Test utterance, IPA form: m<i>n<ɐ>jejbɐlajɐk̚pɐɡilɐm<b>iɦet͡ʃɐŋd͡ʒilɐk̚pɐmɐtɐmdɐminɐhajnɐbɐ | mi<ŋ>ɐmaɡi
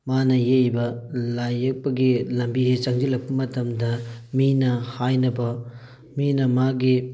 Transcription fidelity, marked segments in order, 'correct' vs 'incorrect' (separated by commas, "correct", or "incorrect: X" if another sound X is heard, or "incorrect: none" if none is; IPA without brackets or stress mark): incorrect: a, correct, correct, incorrect: n